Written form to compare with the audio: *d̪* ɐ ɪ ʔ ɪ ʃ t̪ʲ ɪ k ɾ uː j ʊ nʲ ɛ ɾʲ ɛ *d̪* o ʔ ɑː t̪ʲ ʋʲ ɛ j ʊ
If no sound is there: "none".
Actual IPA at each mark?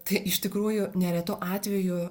t̪, t̪

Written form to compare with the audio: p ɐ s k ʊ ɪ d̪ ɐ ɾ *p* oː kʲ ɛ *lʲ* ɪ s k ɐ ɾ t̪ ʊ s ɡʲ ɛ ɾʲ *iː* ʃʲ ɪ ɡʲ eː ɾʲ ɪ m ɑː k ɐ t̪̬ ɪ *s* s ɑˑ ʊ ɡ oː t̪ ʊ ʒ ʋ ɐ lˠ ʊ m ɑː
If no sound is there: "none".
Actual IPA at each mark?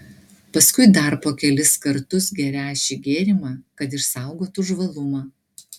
p, lʲ, æː, ʃ

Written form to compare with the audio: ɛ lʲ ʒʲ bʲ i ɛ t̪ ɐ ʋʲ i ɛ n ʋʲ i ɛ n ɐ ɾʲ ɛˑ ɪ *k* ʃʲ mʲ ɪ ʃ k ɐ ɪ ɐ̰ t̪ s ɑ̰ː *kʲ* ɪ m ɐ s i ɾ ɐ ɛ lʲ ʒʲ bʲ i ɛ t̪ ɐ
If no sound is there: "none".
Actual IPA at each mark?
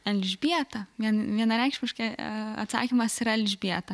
k, kʲ

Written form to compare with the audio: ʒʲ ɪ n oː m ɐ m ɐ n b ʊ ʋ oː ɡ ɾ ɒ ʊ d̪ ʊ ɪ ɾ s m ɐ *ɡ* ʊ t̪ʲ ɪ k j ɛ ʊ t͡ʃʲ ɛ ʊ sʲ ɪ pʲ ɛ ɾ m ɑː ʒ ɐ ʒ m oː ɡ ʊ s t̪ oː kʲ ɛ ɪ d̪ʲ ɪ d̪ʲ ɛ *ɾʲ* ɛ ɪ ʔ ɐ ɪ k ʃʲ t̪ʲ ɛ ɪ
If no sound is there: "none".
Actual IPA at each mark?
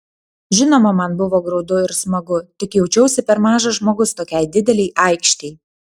ɡ, lʲ

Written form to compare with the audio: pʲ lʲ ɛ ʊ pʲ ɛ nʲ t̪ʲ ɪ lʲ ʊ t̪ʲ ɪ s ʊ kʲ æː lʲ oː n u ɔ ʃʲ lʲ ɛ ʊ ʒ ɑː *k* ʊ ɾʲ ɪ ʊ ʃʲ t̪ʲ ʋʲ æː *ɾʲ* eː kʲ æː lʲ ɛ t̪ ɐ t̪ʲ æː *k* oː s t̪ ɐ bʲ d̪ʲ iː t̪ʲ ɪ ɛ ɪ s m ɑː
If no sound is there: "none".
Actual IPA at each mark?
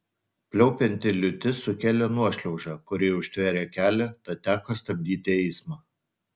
k, ɾʲ, k

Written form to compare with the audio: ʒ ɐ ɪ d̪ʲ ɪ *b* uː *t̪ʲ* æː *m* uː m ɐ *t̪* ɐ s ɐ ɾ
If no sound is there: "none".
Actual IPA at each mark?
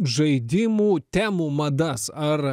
m, t̪ʲ, m, d̪

